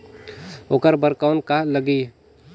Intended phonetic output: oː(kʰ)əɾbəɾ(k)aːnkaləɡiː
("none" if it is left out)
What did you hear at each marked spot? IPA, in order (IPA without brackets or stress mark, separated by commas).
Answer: k, k